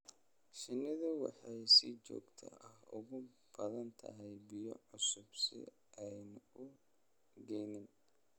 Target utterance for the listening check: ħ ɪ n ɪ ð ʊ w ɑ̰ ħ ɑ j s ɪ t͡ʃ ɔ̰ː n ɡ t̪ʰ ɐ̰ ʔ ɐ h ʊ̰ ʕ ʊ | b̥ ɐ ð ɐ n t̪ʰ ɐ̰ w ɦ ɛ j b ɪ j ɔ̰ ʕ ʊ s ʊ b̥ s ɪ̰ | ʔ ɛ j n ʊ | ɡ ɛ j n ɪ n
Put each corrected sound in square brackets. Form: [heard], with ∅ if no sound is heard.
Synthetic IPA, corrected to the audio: [ʃ] ɪ n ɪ ð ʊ w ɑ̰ ħ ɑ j s ɪ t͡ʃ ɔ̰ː [∅] ɡ t̪ʰ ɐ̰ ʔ ɐ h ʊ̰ [ɣ] ʊ | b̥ ɐ ð ɐ n t̪ʰ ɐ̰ [∅] ɦ ɛ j b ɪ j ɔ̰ ʕ ʊ s ʊ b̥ s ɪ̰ | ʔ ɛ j n ʊ | ɡ ɛ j n ɪ n